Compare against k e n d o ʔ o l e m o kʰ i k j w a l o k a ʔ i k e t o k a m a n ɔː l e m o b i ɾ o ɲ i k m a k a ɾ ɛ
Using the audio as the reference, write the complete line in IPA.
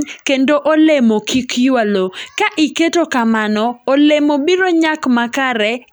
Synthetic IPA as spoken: k e n d o ʔ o l e m o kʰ i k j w a l o k a ʔ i k e t o k a m a n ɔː l e m o b i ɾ o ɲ a k m a k a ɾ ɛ